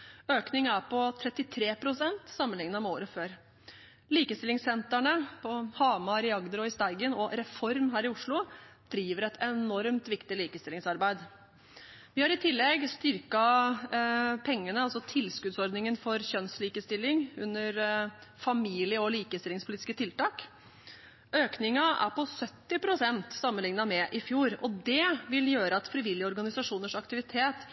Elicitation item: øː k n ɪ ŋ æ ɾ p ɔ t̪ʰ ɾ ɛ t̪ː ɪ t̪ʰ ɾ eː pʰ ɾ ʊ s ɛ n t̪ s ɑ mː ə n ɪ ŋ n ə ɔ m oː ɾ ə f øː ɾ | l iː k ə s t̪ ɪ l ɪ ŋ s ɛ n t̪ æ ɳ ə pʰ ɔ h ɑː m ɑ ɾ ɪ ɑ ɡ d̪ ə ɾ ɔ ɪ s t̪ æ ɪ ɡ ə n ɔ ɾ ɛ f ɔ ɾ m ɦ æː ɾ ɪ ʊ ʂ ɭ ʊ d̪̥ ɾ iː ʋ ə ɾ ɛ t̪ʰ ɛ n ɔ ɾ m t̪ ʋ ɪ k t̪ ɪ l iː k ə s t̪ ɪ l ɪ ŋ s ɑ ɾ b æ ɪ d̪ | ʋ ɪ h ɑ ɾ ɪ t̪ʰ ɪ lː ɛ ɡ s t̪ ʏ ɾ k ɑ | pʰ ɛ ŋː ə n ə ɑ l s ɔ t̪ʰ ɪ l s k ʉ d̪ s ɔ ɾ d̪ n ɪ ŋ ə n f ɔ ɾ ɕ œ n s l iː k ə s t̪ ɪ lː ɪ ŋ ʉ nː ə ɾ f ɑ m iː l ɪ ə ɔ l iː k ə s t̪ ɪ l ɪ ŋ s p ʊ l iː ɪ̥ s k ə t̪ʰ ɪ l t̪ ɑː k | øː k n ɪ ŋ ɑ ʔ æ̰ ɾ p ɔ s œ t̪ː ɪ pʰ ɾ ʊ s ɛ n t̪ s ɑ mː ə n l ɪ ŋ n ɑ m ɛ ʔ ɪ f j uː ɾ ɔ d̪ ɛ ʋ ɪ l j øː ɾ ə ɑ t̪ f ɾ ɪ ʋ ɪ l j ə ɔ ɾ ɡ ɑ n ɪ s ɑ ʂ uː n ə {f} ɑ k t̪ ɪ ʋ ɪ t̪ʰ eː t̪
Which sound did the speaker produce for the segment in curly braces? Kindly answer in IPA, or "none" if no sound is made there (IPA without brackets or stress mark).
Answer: ʂ